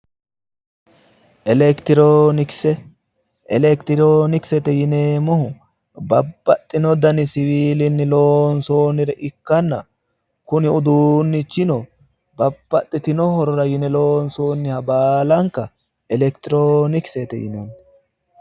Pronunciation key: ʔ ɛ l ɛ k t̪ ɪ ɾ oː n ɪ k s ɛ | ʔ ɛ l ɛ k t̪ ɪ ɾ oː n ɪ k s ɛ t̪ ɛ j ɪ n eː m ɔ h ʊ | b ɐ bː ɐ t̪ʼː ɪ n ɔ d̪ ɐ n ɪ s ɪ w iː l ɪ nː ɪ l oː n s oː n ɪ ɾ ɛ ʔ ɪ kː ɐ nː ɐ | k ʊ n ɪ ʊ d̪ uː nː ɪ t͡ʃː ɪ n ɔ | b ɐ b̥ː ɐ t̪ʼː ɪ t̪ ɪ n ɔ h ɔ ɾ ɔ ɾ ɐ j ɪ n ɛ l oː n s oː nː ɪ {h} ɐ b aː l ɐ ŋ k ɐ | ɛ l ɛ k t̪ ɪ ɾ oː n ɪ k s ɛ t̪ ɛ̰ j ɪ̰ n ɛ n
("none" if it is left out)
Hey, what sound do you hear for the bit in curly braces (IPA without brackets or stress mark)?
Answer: h